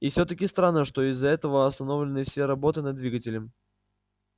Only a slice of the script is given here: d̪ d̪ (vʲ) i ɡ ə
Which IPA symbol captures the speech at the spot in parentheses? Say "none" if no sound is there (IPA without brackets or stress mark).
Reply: vʲ